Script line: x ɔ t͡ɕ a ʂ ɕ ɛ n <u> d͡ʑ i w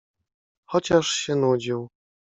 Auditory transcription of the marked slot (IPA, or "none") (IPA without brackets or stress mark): u